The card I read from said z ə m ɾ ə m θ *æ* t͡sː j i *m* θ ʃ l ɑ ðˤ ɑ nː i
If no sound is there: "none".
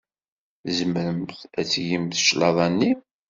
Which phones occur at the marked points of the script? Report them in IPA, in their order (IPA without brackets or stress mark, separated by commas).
æ, m